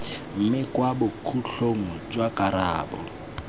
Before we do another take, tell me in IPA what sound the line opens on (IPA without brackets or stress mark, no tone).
m̩